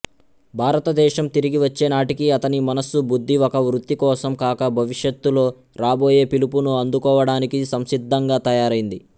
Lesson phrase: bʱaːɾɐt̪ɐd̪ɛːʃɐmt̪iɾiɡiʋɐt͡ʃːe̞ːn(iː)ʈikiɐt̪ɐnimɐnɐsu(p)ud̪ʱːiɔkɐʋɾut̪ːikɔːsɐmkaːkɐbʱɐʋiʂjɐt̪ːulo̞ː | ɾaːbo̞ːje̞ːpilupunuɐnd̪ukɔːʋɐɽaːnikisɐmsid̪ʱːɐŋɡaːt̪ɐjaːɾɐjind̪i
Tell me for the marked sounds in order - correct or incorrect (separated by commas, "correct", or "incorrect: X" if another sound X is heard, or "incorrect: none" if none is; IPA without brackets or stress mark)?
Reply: incorrect: aː, incorrect: b